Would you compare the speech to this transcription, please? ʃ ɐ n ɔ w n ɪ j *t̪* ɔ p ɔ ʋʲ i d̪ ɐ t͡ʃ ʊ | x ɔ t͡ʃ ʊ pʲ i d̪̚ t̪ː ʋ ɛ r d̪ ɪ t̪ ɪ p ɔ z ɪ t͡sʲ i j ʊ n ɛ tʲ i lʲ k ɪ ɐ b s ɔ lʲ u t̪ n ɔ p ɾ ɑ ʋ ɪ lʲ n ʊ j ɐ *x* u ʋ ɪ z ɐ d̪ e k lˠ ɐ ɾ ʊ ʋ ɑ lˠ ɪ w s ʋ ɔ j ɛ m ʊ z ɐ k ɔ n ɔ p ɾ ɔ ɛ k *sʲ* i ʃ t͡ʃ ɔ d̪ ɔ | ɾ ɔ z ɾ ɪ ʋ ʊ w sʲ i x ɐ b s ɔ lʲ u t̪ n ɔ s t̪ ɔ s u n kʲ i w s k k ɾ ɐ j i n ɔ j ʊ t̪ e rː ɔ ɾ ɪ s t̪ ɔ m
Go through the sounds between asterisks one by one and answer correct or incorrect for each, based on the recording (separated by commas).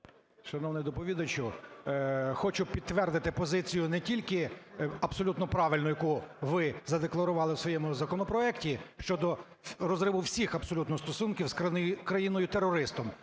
incorrect, incorrect, incorrect